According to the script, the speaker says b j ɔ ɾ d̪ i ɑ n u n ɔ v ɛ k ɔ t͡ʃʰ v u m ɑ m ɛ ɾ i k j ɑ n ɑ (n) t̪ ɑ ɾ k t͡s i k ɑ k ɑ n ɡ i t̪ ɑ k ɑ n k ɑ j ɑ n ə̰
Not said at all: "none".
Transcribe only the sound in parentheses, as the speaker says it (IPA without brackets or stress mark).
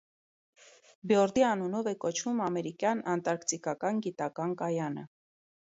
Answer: n